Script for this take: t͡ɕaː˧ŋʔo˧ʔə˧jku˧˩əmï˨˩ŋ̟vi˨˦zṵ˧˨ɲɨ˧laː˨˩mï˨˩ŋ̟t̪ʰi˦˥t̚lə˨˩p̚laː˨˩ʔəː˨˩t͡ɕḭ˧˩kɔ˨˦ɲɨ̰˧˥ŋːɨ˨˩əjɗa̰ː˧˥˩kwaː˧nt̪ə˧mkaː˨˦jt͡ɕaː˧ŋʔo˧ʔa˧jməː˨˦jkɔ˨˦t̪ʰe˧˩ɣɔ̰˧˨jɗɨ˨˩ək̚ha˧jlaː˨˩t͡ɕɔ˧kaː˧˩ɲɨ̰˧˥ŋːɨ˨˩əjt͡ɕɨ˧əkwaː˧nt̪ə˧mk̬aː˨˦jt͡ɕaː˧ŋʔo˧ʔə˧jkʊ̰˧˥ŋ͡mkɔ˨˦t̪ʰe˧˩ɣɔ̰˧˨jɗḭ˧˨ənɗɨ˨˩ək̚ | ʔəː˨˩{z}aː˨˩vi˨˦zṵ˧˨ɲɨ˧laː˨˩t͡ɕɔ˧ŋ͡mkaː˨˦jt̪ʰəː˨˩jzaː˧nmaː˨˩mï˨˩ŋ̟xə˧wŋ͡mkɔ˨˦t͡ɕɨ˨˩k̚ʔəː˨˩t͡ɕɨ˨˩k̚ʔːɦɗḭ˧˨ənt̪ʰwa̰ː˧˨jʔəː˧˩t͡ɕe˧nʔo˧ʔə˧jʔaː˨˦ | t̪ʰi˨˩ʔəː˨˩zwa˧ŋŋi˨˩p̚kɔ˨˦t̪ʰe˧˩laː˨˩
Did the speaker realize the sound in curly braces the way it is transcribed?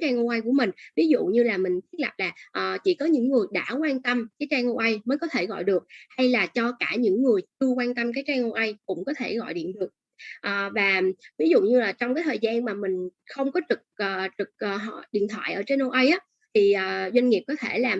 no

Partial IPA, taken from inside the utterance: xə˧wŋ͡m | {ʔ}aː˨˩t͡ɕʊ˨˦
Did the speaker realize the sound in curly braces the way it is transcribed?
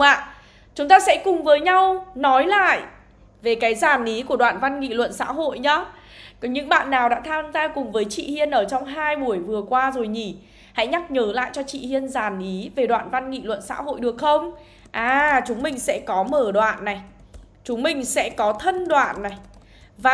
yes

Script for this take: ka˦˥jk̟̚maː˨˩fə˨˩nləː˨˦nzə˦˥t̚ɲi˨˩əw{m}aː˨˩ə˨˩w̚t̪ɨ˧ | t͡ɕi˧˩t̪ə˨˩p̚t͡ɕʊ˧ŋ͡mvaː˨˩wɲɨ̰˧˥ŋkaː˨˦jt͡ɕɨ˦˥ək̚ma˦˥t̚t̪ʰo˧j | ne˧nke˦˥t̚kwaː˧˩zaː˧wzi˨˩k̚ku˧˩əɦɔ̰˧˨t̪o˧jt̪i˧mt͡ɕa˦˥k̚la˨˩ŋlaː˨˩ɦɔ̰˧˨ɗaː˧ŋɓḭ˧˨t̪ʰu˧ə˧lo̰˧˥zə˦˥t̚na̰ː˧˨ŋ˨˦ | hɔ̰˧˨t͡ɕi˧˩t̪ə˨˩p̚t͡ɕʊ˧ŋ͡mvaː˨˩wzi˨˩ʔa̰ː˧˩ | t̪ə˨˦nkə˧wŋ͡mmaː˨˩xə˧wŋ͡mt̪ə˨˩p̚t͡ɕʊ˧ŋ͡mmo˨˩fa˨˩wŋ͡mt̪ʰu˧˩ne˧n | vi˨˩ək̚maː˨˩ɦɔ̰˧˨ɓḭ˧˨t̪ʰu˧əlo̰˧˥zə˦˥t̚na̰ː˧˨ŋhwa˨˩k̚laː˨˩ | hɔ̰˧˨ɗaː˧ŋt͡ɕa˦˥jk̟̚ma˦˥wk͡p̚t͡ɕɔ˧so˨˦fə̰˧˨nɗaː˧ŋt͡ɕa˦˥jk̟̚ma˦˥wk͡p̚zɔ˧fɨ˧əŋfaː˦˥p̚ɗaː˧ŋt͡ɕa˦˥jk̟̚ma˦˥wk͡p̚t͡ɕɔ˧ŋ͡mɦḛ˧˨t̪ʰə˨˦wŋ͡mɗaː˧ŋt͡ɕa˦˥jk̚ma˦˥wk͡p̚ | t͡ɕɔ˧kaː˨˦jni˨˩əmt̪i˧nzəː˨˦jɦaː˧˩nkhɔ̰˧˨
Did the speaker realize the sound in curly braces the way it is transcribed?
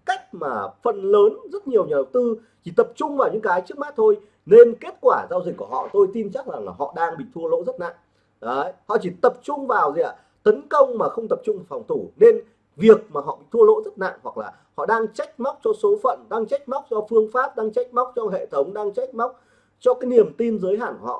no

